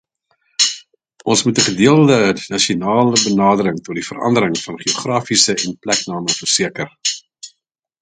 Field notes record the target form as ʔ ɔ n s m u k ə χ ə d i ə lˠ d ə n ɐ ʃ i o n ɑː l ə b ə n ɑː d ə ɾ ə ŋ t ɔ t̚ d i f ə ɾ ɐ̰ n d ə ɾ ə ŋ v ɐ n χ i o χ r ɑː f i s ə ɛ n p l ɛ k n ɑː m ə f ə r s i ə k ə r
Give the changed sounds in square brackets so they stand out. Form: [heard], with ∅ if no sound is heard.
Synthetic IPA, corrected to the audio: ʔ ɔ n s m u [t] ə χ ə d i ə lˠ d ə n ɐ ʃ i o n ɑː l ə b ə n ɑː d ə ɾ ə ŋ t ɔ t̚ d i f ə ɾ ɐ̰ n d ə ɾ ə ŋ [f] ɐ n χ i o χ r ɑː f i s ə ɛ n p l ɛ k n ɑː m ə f ə r s i ə k ə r